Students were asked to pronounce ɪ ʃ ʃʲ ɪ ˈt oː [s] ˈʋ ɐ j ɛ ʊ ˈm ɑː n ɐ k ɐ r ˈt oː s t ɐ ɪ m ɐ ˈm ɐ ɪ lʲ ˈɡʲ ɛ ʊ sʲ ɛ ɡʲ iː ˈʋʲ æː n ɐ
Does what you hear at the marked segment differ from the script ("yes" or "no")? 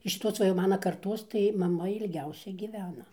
no